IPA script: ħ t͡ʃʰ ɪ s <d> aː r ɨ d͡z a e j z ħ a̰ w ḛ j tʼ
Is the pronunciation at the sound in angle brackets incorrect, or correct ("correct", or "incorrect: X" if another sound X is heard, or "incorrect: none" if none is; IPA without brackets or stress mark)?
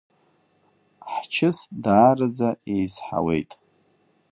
correct